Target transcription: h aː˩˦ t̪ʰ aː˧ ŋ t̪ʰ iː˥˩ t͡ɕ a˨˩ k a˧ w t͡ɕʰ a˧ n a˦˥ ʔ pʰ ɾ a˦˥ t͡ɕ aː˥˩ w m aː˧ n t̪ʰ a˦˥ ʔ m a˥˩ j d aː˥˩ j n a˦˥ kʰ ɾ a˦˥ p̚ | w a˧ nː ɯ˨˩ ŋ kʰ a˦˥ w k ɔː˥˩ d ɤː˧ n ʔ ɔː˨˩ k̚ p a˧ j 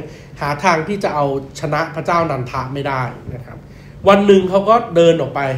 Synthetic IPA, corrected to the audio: h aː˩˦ t̪ʰ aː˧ ŋ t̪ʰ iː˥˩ t͡ɕ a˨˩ ʔ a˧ w t͡ɕʰ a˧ n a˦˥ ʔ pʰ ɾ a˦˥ t͡ɕ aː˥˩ w n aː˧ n t̪ʰ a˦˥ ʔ m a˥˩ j d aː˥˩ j n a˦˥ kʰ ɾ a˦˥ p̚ | w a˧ nː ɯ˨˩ ŋ kʰ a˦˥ w k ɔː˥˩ d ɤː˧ n ʔ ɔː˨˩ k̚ p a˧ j